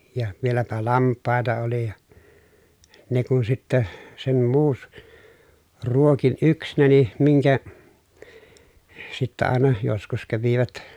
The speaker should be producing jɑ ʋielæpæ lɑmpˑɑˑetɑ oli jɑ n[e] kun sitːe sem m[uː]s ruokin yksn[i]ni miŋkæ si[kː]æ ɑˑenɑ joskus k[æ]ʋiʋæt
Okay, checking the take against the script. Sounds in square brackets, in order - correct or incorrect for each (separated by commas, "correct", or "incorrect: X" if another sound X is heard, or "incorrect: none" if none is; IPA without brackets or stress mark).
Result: correct, correct, incorrect: æ, incorrect: tː, correct